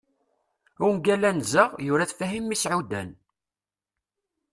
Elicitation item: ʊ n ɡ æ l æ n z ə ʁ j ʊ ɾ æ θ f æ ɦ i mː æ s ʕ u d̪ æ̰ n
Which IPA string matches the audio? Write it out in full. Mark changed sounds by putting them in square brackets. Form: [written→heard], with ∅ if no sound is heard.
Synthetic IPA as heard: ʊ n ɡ æ l æ n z ə ʁ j ʊ ɾ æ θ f æ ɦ i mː [æ→i] s ʕ u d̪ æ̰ n